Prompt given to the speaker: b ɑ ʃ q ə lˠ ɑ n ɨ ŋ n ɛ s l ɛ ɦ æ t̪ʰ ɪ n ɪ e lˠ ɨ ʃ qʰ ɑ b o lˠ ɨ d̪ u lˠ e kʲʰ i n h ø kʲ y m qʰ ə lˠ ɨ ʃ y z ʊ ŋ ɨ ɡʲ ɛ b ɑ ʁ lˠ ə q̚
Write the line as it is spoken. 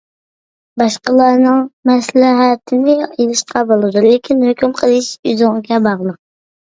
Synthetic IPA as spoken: b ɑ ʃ q ə lˠ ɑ n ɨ ŋ m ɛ s l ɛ ɦ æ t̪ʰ ɪ n ɪ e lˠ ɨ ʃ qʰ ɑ b o lˠ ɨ d̪ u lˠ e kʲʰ i n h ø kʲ y m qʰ ə lˠ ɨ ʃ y z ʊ ŋ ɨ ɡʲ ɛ b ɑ ʁ lˠ ə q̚

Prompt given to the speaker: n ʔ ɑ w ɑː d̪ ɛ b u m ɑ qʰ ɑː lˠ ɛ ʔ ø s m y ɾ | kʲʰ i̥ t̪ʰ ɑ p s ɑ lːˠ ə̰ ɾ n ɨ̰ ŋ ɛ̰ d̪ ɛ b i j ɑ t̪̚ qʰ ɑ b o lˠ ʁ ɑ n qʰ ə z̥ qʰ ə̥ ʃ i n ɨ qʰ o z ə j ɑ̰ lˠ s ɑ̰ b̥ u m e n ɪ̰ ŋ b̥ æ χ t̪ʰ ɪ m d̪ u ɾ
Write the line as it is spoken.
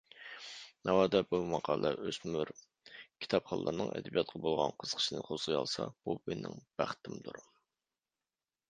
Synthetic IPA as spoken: n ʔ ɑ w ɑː d̪ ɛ b u m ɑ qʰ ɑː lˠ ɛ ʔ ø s m y ɾ | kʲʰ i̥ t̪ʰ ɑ p χ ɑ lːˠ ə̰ ɾ n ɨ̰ ŋ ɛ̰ d̪ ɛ b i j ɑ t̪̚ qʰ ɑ b o lˠ ʁ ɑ n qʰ ə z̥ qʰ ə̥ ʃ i n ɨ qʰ o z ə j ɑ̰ lˠ s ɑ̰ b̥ u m e n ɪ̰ ŋ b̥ æ χ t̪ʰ ɪ m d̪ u ɾ

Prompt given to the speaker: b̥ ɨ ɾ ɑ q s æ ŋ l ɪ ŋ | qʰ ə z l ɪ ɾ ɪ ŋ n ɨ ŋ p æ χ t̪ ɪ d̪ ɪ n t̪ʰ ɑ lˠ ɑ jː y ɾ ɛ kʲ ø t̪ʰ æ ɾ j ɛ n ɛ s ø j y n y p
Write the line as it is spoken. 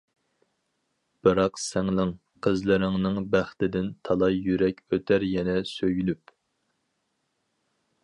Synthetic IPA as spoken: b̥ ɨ ɾ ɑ q s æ ŋ l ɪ ŋ | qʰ ə z l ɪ ɾ ɪ ŋ n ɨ ŋ b æ χ t̪ ɪ d̪ ɪ n t̪ʰ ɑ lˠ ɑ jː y ɾ ɛ kʲ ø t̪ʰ æ ɾ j ɛ n ɛ s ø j y n y p

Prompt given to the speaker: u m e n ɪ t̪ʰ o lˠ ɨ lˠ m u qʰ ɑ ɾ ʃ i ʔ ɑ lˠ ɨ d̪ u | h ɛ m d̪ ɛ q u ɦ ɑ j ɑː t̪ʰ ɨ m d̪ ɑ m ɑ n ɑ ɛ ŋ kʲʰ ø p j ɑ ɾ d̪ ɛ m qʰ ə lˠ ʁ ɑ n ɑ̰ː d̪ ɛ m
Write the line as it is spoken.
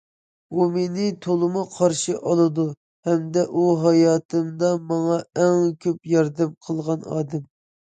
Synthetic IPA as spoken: u m e n ɪ t̪ʰ o lˠ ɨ m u qʰ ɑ ɾ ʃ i ʔ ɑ lˠ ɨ d̪ u | h ɛ m d̪ ɛ ʔ u ɦ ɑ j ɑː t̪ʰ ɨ m d̪ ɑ m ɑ ŋ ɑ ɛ ŋ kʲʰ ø p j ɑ ɾ d̪ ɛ m qʰ ə lˠ ʁ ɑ n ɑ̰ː d̪ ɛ m

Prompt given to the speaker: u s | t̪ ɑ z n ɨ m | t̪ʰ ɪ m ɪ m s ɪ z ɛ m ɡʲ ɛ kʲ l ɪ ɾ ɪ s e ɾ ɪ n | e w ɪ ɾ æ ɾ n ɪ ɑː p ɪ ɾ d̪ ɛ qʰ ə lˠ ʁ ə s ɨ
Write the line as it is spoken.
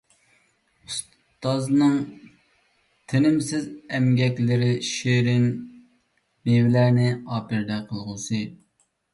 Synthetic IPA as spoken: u s | t̪ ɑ z n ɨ ŋ | t̪ʰ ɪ n ɪ m s ɪ z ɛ m ɡʲ ɛ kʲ l ɪ ɾ ɪ ʃ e ɾ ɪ n | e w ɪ l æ ɾ n ɪ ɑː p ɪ ɾ d̪ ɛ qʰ ə lˠ ʁ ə s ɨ

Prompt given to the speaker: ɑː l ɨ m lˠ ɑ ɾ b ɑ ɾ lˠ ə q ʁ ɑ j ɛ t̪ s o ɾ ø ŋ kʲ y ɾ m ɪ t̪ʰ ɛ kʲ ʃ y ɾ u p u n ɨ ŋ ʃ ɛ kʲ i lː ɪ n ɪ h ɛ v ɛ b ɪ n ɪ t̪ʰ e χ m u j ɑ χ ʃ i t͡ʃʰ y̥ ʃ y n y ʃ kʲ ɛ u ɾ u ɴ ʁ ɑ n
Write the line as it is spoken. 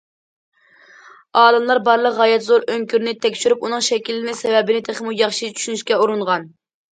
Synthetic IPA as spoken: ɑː l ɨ m lˠ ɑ ɾ b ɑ ɾ lˠ ə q ʁ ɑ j ɛ t̪ z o ɾ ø ŋ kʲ y ɾ n ɪ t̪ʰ ɛ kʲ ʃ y ɾ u p u n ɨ ŋ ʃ ɛ kʲ i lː ɪ n ɪ s ɛ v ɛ b ɪ n ɪ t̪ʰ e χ m u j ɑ χ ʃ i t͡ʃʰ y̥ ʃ y n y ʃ kʲ ɛ u ɾ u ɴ ʁ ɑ n

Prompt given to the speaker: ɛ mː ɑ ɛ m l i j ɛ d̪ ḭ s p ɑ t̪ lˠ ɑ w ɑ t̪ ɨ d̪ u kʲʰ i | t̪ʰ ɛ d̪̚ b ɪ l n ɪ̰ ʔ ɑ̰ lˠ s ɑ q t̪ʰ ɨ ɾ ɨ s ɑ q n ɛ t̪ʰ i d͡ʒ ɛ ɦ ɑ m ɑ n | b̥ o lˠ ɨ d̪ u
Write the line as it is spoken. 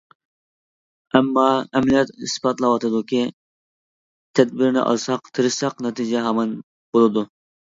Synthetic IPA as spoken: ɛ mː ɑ ɛ m l i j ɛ t̪ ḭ s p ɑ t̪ lˠ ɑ w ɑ t̪ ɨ d̪ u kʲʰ i | t̪ʰ ɛ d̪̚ b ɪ ɾ n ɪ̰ ʔ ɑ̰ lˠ s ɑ q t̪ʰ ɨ ɾ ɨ s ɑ q n ɛ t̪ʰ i d͡ʒ ɛ ɦ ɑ m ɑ n | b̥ o lˠ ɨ d̪ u

